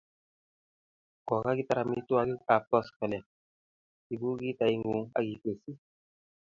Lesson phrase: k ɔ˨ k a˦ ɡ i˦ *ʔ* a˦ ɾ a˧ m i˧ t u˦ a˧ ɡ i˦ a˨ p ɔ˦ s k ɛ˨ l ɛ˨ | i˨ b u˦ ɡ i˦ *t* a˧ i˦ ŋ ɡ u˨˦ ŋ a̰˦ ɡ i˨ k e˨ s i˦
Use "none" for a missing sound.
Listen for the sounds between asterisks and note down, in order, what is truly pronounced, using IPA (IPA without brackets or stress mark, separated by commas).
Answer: t, t